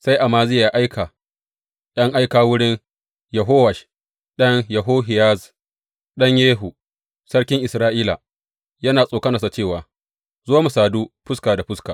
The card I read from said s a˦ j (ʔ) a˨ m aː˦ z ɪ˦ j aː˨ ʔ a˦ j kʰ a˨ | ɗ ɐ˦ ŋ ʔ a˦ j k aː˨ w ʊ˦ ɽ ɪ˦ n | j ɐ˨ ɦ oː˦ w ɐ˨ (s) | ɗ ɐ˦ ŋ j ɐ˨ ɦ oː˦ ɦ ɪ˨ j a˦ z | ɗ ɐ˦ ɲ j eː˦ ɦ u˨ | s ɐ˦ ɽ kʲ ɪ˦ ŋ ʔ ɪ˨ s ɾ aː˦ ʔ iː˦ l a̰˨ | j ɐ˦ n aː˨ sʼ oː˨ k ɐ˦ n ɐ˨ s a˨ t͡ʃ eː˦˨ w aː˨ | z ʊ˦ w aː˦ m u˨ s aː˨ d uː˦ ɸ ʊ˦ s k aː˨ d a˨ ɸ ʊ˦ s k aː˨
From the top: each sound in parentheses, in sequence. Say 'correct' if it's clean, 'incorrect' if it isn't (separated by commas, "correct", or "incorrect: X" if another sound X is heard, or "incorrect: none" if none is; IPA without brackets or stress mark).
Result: correct, incorrect: ʃ